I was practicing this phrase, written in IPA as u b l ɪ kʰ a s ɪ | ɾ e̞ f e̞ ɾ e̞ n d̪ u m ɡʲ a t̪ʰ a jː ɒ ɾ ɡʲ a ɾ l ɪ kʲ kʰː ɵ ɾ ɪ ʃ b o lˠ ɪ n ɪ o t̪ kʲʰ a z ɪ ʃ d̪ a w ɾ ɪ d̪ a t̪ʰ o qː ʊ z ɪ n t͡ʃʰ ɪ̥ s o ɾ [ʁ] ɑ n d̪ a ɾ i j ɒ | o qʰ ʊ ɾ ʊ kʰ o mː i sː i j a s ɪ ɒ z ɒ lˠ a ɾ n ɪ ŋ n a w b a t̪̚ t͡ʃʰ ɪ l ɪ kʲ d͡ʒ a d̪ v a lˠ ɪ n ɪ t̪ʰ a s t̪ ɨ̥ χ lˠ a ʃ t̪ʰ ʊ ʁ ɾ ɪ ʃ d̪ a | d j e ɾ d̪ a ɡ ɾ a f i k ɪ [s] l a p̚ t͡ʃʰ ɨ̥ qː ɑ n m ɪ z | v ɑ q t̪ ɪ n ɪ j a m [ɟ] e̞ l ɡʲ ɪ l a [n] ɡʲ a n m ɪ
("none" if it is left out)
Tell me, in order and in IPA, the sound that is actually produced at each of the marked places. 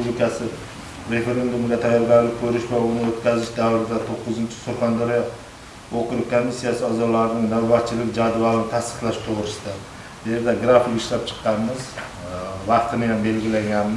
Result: χ, ʃ, b, ŋ

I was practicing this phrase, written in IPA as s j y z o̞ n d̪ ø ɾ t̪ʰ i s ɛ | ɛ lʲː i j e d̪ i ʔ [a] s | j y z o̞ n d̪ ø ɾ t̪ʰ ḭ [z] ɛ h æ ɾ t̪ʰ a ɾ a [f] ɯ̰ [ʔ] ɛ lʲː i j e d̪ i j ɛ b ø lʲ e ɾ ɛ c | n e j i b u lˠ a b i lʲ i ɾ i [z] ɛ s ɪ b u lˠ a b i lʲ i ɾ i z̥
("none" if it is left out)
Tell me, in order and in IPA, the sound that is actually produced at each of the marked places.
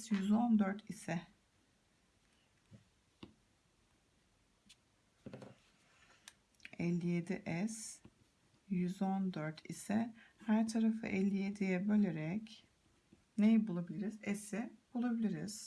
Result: ɛ, s, f, ʔ, z

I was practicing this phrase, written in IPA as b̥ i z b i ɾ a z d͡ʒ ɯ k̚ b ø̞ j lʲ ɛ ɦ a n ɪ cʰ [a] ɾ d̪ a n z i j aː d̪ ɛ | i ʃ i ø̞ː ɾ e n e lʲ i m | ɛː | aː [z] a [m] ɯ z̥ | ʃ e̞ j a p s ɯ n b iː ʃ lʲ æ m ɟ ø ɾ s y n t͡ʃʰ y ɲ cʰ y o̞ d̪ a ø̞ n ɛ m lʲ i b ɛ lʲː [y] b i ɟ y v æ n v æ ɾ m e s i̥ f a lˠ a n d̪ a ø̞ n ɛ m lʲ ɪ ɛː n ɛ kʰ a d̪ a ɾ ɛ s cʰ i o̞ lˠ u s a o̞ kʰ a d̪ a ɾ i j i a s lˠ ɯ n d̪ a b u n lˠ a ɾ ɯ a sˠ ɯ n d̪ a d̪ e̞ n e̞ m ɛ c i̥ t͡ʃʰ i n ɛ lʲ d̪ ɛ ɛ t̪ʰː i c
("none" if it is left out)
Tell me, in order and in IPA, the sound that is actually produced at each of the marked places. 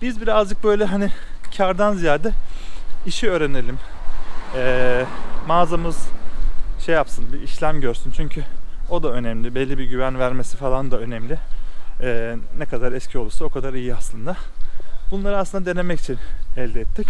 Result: a, z, m, i

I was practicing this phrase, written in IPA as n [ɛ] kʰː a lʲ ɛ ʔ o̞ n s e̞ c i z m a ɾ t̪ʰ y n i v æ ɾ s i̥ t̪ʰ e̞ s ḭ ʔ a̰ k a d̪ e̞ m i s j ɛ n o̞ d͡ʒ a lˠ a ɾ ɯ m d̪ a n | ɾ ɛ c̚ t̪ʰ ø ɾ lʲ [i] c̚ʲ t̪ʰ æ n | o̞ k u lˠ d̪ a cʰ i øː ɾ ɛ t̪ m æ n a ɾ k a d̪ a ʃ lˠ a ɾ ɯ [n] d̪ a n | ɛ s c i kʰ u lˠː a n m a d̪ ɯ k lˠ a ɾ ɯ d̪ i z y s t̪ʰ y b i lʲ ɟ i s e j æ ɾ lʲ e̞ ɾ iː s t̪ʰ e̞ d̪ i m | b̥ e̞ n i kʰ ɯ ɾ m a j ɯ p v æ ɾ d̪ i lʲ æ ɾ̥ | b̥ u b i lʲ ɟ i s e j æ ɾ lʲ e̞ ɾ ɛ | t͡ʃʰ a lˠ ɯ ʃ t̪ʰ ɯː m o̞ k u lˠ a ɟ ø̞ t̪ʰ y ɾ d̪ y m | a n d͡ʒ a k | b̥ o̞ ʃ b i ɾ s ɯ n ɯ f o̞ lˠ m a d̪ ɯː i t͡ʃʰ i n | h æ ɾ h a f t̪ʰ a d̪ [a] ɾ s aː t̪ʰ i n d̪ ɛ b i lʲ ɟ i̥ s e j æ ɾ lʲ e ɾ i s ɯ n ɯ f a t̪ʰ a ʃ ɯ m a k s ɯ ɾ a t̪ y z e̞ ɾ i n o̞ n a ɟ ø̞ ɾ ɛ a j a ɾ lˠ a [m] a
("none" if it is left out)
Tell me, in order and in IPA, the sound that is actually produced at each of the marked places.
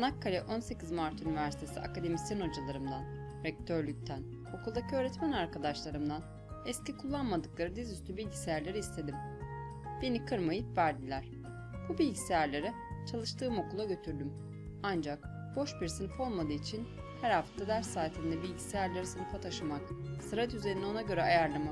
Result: a, y, m, æ, m

